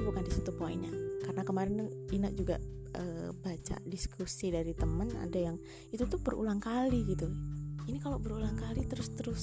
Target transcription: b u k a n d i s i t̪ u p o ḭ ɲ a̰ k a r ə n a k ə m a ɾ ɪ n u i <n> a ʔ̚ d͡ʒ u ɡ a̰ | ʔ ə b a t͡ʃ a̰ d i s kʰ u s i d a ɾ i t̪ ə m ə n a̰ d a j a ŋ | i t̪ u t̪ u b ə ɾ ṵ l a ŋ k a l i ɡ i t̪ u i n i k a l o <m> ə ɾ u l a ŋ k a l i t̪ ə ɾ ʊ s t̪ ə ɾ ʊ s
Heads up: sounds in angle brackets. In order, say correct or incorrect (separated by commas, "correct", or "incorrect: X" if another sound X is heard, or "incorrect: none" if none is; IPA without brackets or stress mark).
correct, incorrect: b